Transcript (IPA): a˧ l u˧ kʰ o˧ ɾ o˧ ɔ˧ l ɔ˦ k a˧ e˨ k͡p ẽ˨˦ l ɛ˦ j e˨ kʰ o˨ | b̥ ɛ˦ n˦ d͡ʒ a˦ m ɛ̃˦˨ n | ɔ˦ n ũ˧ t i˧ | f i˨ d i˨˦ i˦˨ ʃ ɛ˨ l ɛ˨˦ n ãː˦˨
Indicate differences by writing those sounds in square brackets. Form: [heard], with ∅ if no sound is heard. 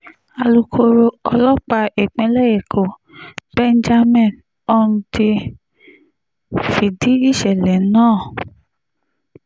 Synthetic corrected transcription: a˧ l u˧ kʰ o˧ ɾ o˧ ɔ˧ l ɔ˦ [k͡p] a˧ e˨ k͡p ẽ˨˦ l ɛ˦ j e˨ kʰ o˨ | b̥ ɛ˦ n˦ d͡ʒ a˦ m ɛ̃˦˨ n | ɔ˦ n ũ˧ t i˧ | f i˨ d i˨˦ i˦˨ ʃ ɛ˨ l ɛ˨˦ n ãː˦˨

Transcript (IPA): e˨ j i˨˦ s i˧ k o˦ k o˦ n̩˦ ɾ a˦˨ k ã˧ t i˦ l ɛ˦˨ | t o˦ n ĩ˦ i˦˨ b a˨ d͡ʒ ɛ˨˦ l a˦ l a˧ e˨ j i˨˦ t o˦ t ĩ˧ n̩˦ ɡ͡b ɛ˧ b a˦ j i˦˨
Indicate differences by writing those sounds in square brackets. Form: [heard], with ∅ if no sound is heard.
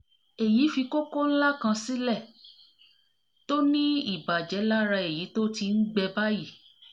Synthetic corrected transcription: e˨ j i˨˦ [f] i˧ k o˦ k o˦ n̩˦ [l] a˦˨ k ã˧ [s] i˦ l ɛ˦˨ | t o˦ n ĩ˦ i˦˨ b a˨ d͡ʒ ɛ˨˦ l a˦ [ɾ] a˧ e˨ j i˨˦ t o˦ t [i˧] n̩˦ ɡ͡b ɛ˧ b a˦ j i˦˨

